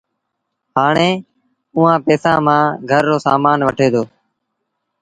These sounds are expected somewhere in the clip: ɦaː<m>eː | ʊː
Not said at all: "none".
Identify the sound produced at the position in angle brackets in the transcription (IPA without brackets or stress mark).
ɳ